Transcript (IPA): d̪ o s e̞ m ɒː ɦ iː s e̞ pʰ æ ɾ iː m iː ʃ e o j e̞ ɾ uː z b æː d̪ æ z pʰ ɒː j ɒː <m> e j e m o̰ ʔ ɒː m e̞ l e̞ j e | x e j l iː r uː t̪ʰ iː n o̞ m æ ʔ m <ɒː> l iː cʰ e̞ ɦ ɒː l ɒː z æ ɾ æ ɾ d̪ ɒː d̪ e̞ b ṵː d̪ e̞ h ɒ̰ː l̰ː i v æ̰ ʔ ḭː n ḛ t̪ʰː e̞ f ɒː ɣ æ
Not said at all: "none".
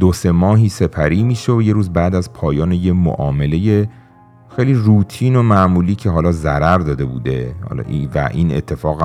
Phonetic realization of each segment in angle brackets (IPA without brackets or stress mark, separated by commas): n, uː